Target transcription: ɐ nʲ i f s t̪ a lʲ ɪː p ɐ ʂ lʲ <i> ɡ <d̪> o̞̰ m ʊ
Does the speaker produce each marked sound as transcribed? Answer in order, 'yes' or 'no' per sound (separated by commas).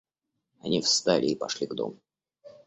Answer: yes, yes